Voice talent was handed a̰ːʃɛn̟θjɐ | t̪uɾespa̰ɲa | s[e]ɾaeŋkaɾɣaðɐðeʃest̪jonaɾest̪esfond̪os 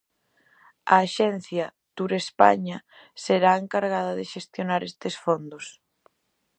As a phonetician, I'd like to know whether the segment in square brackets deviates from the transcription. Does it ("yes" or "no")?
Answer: no